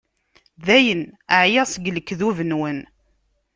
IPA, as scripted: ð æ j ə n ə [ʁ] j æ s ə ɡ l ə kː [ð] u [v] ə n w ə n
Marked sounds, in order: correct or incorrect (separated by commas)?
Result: incorrect, correct, correct